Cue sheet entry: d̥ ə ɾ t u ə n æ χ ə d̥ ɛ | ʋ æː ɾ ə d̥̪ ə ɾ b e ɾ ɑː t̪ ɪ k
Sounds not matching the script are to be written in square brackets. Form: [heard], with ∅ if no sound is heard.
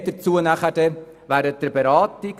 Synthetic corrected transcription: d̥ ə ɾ [t͡s] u ə n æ χ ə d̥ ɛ | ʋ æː ɾ ə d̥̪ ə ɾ b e ɾ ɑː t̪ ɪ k